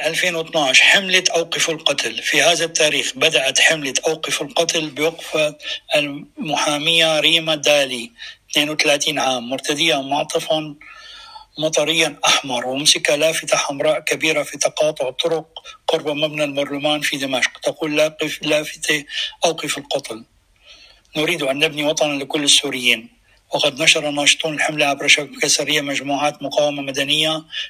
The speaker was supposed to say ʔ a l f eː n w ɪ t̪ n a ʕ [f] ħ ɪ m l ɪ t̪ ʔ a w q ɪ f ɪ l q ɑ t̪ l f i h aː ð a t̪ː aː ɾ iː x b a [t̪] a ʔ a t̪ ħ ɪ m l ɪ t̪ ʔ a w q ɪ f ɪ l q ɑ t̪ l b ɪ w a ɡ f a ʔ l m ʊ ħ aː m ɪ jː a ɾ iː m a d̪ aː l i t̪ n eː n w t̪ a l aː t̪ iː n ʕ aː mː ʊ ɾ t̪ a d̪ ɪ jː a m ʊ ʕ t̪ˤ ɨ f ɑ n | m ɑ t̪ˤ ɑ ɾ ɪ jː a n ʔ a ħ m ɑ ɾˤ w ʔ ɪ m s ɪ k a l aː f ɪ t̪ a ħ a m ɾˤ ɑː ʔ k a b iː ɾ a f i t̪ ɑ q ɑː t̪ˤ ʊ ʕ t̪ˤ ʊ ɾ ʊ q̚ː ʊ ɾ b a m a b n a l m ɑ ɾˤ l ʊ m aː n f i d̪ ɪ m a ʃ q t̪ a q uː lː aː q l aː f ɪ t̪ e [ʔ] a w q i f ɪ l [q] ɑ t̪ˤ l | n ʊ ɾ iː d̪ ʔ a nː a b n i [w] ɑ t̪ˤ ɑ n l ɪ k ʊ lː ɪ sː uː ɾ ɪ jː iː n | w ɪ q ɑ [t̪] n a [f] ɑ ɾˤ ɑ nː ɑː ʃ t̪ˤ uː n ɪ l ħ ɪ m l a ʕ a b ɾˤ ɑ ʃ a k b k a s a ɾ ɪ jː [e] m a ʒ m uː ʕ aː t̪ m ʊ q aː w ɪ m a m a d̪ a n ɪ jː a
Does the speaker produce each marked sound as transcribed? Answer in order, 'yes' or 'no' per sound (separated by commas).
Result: no, no, yes, yes, yes, no, no, no